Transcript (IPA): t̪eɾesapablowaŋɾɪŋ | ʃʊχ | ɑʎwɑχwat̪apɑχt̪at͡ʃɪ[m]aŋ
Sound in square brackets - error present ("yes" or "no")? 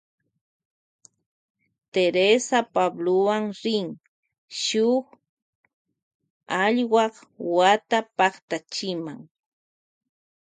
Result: no